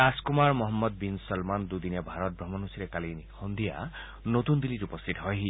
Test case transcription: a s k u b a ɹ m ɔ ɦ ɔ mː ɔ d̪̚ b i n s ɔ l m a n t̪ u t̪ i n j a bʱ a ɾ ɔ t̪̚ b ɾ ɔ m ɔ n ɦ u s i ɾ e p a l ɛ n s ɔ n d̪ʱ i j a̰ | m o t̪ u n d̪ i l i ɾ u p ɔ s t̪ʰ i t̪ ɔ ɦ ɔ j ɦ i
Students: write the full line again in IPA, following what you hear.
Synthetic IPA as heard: a s k u m a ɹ m ɔ ɦ ɔ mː ɔ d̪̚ b i n s ɔ l m a n d̪ u d̪ i n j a bʱ a ɾ ɔ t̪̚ b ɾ ɔ m ɔ n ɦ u s i ɾ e k a l i n h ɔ n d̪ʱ i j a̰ | n o t̪ u n d̪ i l i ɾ u p ɔ s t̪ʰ i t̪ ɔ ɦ ɔ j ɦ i

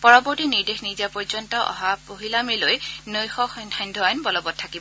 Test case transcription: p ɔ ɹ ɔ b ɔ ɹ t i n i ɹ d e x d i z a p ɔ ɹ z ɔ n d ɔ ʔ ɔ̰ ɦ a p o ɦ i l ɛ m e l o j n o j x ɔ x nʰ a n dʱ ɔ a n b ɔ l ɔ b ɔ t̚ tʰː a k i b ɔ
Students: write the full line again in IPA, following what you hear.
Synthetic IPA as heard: p ɔ ɹ ɔ b ɔ ɹ t i n i ɹ d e x n i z a p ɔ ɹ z ɔ n t ɔ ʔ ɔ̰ ɦ a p o ɦ i l a m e l o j n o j x ɔ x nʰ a n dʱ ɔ a n b ɔ l ɔ b ɔ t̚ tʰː a k i b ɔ

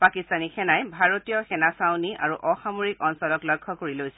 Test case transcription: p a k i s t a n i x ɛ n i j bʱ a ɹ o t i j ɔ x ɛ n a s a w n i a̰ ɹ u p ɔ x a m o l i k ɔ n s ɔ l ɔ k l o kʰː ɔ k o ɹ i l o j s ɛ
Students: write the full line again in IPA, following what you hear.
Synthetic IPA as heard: p a k i s t a n i x ɛ n a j bʱ a ɹ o t i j ɔ x ɛ n a s a w n i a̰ ɹ u ʔ ɔ x a m o ɹ i k ɔ n s ɔ l ɔ k l ɔ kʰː ɔ k o ɹ i l o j s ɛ

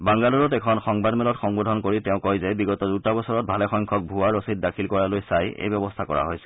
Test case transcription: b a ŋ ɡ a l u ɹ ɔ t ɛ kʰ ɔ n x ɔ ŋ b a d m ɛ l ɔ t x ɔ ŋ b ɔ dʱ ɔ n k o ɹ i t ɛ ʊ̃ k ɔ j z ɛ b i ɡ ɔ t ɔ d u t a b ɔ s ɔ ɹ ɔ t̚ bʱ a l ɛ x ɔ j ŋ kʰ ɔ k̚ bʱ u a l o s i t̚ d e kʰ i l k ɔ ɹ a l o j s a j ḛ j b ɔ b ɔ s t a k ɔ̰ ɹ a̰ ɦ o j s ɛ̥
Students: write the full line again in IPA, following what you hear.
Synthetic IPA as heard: b a ŋ ɡ a l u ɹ ɔ t ɛ kʰ ɔ n x ɔ ŋ b a d m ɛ l ɔ t x ɔ ŋ b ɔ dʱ ɔ n k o ɹ i t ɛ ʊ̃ k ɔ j z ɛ b i ɡ ɔ t ɔ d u t a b ɔ s ɔ ɹ ɔ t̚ bʱ a l ɛ x ɔ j ŋ kʰ ɔ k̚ bʱ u a ɹ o s i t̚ d a kʰ i l k ɔ ɹ a l o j s a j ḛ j b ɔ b ɔ s tʰ a k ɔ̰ ɹ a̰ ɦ o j s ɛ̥

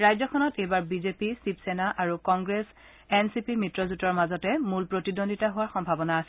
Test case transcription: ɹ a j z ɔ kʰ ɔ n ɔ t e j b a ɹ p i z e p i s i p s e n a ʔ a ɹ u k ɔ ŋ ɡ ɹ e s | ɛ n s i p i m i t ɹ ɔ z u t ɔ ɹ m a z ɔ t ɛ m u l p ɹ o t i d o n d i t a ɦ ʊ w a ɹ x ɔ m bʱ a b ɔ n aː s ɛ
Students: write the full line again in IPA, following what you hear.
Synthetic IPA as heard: ɹ a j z ɔ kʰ ɔ n ɔ t e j b a ɹ b i z e p i s i p s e n a ʔ a ɹ u k ɔ ŋ ɡ ɹ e s | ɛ n s i p i m i t ɹ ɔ z u t ɔ ɹ m a z ɔ t ɛ m u l p ɹ o t i d o n d i t a ɦ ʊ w a ɹ x ɔ m bʱ a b ɔ n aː s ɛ

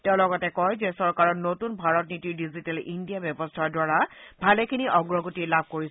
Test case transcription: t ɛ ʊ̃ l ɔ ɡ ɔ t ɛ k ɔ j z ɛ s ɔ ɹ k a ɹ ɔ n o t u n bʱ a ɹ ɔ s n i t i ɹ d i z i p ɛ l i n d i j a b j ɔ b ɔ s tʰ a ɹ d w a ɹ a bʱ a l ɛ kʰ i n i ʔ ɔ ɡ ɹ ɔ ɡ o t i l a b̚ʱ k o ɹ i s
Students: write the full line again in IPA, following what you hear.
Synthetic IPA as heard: t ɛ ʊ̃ l ɔ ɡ ɔ t ɛ k ɔ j z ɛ s ɔ ɹ k a ɹ ɔ n o t u n bʱ a ɹ ɔ t n i t i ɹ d i z i t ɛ l i n d i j a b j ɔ b ɔ s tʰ a ɹ d w a ɹ a bʱ a l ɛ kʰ i n i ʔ ɔ ɡ ɹ ɔ ɡ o t i l a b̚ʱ k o ɹ i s

